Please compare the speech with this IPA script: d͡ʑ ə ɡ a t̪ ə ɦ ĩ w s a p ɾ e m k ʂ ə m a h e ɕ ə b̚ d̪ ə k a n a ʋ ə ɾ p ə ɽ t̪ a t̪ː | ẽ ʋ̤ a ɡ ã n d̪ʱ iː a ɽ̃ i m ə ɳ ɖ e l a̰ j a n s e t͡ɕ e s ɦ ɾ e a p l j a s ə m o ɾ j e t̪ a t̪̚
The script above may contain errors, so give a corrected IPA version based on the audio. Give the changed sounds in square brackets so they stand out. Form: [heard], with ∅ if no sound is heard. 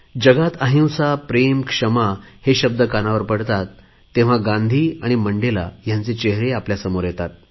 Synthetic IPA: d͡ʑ ə ɡ a t̪ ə ɦ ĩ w s a p ɾ e m k ʂ ə m a h e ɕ ə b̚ d̪ ə k a n a ʋ ə ɾ p ə ɽ t̪ a t̪ː | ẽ ʋ̤ a ɡ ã n d̪ʱ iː a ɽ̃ i m ə ɳ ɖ e l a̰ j a n [t͡s] e t͡ɕ e [∅] ɦ ɾ e a p l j a s ə m o ɾ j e t̪ a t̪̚